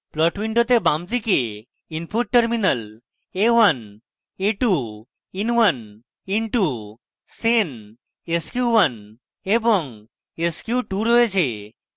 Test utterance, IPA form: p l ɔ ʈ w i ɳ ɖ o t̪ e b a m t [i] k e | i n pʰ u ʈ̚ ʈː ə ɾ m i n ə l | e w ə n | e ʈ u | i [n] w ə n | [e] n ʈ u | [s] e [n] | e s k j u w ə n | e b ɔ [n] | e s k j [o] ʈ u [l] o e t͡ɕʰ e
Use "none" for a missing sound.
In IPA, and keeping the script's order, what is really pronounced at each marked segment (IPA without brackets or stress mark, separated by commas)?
i, n, i, s, n, ŋ, u, ɾ